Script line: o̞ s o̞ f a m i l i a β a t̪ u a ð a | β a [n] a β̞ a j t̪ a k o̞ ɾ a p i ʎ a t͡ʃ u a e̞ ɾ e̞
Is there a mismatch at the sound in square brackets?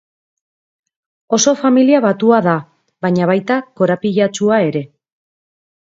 yes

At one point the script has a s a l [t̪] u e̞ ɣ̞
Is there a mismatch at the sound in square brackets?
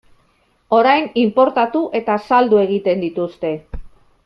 yes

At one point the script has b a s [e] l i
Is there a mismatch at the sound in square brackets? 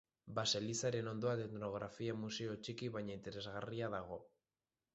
no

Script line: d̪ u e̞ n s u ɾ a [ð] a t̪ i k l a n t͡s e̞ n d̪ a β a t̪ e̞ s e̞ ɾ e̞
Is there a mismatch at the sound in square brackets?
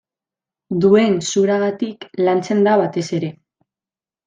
yes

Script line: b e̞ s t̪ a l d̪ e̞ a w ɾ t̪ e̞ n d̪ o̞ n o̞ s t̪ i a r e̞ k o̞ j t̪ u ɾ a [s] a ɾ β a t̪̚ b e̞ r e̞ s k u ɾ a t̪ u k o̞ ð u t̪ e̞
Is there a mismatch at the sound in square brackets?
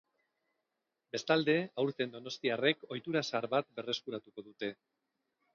no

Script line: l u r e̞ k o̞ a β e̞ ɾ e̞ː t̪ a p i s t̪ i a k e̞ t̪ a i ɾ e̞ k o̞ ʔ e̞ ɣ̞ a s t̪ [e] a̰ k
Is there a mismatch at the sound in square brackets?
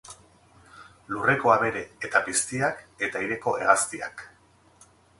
yes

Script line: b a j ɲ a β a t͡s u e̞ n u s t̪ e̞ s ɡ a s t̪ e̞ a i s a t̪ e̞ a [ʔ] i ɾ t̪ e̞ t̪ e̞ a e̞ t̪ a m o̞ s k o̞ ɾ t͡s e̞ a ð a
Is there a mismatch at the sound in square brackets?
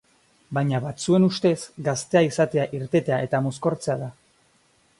no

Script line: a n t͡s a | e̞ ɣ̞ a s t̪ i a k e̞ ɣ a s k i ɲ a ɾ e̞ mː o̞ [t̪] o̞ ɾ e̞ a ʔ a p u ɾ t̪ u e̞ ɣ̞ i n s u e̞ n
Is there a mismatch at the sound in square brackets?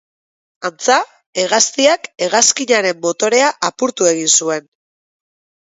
no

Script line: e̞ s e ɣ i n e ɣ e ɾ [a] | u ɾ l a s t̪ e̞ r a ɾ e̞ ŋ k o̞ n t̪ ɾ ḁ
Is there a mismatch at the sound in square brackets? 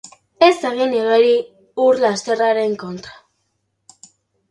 yes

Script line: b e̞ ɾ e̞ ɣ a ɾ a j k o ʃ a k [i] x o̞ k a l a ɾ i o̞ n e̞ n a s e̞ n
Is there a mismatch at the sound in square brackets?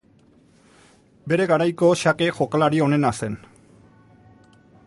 yes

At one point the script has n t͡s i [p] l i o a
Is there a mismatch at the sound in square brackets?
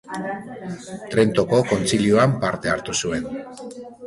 yes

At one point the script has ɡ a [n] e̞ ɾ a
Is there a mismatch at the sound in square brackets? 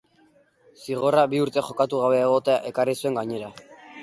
yes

